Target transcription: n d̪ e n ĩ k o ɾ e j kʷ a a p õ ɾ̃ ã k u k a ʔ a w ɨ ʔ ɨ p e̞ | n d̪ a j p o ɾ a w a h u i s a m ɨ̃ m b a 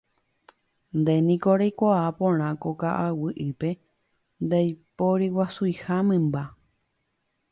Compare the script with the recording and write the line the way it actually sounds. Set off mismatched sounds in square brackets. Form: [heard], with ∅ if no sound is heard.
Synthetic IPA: n d̪ e n ĩ k o ɾ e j kʷ a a p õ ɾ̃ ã k [o] k a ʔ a w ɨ ʔ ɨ p e̞ | n d̪ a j p o ɾ [i] w a [s] u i [h] a m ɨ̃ m b a